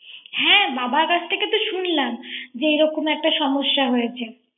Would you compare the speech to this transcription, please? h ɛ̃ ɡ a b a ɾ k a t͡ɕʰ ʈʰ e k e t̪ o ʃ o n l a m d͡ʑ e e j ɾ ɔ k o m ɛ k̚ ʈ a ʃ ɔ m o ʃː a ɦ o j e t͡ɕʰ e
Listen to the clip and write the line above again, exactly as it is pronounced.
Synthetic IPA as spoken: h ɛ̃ b a b a ɾ k a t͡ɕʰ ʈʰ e k e t̪ o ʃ u n l a m d͡ʑ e e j ɾ ɔ k o m ɛ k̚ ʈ a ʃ ɔ m o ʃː a ɦ o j e t͡ɕʰ e